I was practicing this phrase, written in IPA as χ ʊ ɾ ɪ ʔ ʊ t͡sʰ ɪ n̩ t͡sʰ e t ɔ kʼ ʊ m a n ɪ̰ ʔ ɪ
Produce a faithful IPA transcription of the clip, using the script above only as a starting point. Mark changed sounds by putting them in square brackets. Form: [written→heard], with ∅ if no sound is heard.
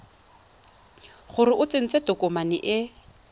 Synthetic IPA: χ ʊ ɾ ɪ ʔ ʊ [t͡sʰ→t͡s] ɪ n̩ [t͡sʰ→t͡s] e t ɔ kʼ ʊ m a n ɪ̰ ʔ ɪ